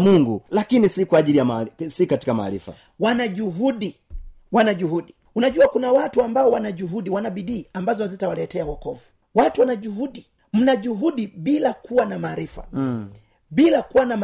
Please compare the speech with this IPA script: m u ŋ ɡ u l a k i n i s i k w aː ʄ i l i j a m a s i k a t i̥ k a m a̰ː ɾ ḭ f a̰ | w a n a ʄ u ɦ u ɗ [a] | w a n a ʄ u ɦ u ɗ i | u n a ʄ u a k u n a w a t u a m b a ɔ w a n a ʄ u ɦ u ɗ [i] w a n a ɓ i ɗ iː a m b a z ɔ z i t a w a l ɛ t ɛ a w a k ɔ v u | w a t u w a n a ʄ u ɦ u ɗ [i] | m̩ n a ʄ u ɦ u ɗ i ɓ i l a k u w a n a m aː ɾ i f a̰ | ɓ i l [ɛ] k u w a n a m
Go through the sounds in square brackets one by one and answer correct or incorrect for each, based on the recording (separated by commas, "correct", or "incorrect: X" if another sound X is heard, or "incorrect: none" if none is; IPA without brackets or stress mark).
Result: incorrect: i, correct, correct, incorrect: a